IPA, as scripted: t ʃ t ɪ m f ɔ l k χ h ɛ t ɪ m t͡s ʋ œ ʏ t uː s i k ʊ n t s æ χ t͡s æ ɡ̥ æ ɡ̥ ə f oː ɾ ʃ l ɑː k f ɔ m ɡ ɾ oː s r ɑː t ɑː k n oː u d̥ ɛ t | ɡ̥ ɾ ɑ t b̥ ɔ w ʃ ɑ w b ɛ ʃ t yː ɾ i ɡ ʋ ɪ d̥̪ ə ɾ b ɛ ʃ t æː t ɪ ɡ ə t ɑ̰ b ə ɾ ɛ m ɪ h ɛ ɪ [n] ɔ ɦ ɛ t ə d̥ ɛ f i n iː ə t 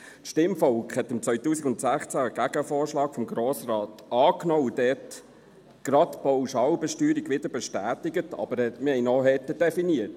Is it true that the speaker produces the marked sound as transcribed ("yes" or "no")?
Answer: yes